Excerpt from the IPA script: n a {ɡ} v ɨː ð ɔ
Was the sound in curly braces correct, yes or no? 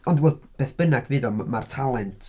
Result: yes